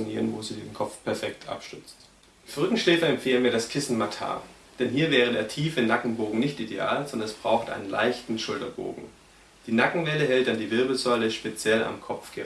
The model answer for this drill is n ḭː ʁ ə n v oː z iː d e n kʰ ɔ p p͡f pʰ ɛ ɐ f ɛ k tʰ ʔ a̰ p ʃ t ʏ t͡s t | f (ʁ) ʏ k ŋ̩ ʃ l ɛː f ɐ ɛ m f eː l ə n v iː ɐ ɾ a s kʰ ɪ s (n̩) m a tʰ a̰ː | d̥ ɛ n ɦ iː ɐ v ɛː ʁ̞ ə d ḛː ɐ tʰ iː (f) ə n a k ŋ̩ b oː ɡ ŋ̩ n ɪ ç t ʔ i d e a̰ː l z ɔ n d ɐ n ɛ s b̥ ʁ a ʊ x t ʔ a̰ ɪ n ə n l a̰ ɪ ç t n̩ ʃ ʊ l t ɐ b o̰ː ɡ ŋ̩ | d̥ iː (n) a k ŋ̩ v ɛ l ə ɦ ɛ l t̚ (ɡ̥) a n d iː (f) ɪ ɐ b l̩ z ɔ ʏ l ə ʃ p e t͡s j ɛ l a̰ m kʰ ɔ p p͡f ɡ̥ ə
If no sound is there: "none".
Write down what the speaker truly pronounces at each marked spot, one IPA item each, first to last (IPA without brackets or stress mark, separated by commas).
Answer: ʁ, n̩, f, n, d̥, v